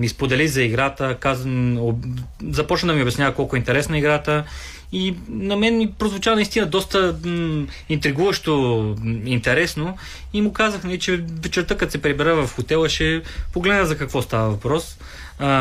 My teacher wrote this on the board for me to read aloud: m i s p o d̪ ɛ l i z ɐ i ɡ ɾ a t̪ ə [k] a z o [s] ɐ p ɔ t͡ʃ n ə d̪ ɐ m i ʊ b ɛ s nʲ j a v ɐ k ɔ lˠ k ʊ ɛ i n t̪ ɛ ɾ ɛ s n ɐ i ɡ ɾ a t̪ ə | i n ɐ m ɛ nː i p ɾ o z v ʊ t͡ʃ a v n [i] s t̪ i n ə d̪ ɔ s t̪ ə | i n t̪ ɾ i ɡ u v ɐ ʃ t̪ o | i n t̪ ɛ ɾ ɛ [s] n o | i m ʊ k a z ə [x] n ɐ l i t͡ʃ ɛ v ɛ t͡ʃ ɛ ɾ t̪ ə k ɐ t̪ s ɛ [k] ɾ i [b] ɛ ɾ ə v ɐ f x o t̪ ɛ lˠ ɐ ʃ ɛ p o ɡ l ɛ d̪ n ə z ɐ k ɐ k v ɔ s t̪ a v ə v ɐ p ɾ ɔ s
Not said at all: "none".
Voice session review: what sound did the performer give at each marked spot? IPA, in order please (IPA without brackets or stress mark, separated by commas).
k, z, i, s, x, p, b